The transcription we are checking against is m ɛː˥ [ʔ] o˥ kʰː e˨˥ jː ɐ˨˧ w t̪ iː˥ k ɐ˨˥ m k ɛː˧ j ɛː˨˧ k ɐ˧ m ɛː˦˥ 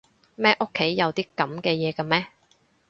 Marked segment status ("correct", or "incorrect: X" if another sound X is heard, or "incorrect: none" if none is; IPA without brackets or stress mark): correct